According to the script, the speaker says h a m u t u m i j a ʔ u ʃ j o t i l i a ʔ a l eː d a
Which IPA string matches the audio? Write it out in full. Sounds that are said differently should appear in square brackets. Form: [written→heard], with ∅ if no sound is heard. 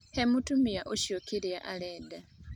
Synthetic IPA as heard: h [a→e] m u t u m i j a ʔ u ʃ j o [t→k] i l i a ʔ a l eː d a